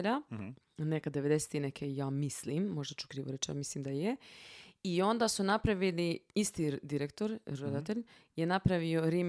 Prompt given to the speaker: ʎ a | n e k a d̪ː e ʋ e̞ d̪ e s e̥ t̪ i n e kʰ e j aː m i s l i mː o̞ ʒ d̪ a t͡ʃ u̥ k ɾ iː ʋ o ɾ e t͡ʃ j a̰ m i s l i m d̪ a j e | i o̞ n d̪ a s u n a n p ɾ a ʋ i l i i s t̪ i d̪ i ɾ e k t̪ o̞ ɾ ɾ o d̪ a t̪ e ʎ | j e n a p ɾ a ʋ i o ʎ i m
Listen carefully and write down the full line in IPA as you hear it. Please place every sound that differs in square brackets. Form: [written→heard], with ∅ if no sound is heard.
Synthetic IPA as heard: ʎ a | n e k a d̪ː e ʋ e̞ d̪ e s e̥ t̪ i n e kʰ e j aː m i s l i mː o̞ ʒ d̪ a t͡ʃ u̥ k ɾ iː ʋ o ɾ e t͡ʃ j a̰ m i s l i m d̪ a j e | i o̞ n d̪ a s u n a [n→∅] p ɾ a ʋ i l i i s t̪ i d̪ i ɾ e k t̪ o̞ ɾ ɾ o d̪ a t̪ e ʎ | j e n a p ɾ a ʋ i o [ʎ→ɾ] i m